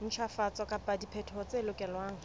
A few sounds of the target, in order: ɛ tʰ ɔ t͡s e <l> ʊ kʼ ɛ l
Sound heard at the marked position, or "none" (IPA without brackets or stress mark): l